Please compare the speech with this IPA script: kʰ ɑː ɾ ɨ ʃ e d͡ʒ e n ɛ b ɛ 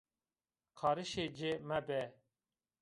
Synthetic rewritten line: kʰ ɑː ɾ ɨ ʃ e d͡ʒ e m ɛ b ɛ